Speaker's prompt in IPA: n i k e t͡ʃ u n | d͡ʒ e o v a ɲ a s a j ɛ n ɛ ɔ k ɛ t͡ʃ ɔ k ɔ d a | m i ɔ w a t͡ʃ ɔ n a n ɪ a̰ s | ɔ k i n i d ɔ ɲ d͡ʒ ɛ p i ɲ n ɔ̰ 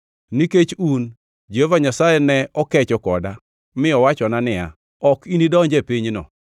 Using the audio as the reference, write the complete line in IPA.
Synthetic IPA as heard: n i k e t͡ʃ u n | d͡ʒ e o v a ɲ a s a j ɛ n ɛ ɔ k ɛ t͡ʃ ɔ k ɔ d a | m ɪ ɔ w a t͡ʃ ɔ n a n ɪ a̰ | ɔ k i n i d ɔ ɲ d͡ʒ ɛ p i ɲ n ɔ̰